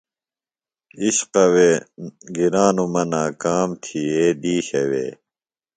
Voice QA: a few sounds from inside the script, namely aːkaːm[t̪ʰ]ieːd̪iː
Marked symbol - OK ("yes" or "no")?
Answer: yes